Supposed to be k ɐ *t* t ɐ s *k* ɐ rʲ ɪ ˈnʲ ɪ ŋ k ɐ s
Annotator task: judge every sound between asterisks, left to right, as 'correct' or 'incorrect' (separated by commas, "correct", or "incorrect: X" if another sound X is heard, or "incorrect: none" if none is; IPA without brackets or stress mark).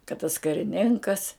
correct, correct